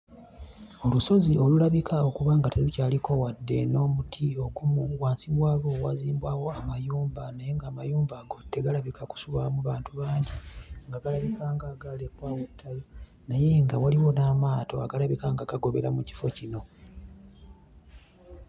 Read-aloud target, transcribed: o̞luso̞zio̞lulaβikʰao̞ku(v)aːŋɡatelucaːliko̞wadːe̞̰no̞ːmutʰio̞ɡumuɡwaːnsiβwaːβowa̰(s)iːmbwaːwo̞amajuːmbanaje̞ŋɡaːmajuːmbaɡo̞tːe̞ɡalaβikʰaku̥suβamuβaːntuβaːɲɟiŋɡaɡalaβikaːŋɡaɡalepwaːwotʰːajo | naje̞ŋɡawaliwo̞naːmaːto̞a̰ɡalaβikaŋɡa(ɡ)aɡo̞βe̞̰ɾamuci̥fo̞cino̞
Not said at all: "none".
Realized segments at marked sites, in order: β, z, ɡ

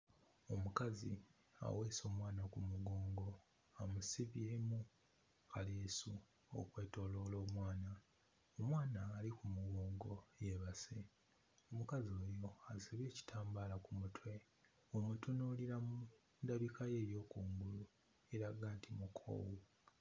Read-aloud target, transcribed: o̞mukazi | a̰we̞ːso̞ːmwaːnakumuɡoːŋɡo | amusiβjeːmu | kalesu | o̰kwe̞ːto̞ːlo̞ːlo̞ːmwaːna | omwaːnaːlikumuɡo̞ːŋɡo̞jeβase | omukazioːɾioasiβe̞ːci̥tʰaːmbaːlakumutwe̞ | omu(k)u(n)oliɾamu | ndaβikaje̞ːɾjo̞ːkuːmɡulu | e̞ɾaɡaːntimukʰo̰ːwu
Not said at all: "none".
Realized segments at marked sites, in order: t, n

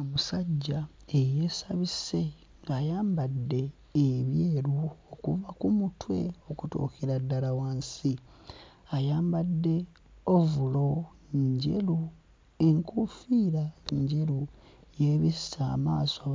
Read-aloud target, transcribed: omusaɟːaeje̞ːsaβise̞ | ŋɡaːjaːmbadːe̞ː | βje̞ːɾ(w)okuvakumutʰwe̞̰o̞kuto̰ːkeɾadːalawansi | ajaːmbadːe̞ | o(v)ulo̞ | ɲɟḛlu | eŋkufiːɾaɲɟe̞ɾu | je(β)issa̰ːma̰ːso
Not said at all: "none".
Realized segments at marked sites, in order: u, v, β

